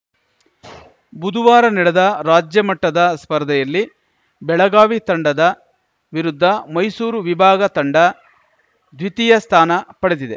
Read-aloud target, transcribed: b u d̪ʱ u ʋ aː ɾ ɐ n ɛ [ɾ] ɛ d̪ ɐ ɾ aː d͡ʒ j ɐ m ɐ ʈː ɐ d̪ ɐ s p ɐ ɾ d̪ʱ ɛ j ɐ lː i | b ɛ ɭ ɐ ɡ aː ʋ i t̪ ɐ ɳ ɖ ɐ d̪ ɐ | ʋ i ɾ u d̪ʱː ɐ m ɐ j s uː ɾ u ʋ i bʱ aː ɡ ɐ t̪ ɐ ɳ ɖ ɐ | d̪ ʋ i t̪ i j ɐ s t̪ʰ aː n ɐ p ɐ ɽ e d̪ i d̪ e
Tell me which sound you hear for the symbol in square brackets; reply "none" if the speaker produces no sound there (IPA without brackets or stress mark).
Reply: ɽ